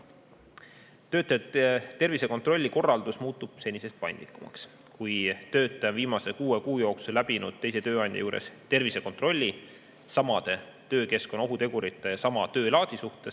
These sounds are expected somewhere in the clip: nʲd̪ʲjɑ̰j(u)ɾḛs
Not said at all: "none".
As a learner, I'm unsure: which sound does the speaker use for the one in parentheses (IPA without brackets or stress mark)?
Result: uː